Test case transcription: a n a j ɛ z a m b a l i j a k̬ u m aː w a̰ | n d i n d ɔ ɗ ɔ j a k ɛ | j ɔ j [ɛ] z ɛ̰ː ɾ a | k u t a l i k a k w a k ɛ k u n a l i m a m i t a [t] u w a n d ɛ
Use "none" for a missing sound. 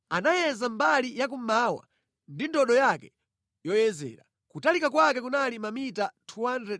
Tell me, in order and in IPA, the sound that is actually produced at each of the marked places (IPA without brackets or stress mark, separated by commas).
ɛ, tʰ